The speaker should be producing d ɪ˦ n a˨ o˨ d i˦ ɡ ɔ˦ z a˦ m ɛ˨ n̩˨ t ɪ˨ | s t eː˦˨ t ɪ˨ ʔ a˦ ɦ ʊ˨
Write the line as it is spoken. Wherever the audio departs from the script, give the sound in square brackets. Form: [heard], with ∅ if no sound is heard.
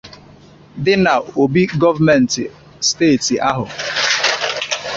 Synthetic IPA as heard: d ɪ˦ n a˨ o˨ [b] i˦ ɡ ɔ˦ [v] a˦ m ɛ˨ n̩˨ t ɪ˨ | s t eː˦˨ t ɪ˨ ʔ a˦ ɦ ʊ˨